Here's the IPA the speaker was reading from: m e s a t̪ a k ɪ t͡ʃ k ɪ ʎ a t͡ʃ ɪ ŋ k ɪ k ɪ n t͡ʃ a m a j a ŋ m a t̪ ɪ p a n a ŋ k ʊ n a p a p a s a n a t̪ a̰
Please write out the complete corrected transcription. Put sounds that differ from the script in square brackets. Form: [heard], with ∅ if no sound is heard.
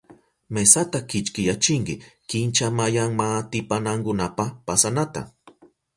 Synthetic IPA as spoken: m e s a t̪ a k ɪ t͡ʃ k ɪ [j] a t͡ʃ ɪ ŋ k ɪ k ɪ n t͡ʃ a m a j a ŋ m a t̪ ɪ p a n a ŋ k ʊ n a p a p a s a n a t̪ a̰